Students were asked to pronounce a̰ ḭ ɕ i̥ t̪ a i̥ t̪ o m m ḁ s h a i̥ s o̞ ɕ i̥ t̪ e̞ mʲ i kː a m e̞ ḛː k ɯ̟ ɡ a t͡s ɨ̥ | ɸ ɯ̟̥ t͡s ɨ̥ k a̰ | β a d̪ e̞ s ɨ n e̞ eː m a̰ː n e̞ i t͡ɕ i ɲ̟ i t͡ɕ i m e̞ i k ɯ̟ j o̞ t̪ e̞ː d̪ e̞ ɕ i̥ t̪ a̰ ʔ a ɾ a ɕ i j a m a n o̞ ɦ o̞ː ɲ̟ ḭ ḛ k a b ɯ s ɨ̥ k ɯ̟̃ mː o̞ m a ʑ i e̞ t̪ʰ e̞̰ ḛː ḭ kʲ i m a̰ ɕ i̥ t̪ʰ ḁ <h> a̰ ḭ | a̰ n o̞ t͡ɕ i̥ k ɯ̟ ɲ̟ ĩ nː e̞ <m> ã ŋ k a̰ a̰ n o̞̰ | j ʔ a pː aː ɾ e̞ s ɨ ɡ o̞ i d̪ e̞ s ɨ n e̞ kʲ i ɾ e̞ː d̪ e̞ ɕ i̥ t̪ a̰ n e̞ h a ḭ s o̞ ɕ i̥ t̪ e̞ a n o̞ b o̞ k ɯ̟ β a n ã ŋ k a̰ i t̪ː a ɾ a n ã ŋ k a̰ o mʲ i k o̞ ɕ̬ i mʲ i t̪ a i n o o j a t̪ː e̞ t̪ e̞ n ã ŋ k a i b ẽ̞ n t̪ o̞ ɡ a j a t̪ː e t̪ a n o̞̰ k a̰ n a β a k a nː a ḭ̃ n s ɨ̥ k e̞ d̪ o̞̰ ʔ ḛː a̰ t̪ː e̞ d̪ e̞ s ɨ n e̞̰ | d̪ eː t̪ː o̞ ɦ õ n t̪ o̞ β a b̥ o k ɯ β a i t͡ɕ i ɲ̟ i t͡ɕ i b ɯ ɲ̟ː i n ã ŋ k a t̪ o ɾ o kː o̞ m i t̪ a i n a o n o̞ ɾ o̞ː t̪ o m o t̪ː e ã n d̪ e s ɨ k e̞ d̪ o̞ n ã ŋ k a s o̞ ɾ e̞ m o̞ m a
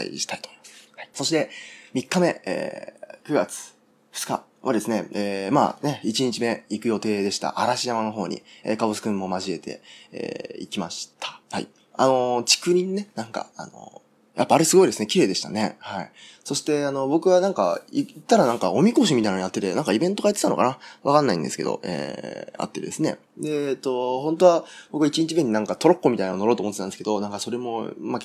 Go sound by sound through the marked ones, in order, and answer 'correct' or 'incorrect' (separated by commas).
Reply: correct, incorrect